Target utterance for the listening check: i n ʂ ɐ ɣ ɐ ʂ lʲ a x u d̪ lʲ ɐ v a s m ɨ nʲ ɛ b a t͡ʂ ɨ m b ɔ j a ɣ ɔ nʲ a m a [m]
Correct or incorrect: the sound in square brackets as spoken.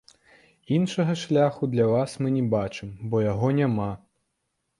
incorrect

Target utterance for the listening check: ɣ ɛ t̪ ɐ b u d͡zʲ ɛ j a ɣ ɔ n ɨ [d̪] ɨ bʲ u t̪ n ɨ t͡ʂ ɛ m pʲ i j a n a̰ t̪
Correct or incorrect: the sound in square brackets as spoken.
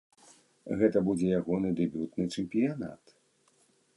correct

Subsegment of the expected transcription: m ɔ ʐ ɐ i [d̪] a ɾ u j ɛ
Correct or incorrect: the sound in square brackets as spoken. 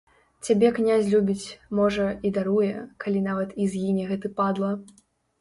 correct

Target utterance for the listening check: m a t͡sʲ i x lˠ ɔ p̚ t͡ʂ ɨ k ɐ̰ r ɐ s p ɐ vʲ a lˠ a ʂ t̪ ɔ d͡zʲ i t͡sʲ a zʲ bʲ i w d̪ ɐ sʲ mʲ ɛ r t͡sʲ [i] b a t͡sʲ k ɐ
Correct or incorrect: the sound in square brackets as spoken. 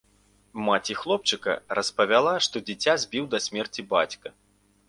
correct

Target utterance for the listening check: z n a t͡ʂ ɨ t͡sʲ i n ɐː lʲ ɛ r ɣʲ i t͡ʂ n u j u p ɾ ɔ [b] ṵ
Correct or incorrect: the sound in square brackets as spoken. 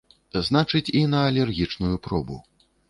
correct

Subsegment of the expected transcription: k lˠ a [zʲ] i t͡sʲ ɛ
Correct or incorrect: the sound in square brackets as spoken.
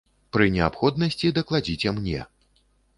incorrect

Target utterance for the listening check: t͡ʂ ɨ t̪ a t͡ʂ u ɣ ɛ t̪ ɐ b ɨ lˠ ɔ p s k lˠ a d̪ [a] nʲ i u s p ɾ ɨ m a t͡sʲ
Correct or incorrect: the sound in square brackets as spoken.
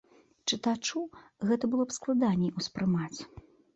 correct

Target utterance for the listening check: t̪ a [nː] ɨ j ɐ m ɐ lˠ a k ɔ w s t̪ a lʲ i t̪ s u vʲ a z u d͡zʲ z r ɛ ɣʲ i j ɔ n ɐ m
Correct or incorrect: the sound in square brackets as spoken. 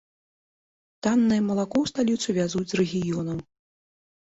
correct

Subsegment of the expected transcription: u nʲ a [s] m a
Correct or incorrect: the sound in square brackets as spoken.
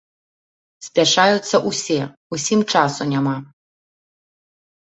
incorrect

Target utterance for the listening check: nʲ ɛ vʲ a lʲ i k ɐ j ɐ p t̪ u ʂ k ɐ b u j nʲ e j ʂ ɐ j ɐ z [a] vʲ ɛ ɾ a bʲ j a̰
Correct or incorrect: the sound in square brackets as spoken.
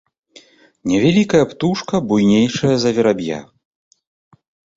incorrect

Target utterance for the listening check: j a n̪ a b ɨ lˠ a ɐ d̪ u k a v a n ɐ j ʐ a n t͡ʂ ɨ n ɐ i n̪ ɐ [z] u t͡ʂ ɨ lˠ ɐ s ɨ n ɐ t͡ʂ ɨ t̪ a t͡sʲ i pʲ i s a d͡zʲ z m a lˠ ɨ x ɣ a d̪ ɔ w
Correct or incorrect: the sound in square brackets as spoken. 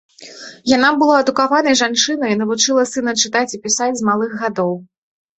incorrect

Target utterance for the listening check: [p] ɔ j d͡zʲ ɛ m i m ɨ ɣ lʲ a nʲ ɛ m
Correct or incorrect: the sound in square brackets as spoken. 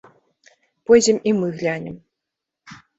correct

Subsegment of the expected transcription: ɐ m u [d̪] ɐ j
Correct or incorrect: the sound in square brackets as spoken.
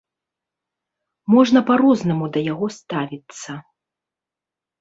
correct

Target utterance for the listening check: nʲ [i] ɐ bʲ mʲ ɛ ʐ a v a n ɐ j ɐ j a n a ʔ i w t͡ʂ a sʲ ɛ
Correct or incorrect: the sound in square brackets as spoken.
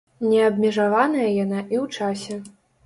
incorrect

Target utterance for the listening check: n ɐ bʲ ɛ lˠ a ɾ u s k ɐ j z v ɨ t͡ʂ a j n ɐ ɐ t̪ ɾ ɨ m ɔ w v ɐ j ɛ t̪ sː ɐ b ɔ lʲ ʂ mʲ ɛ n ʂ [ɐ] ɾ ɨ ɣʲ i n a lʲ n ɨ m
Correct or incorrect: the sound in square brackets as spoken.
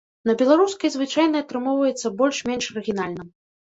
correct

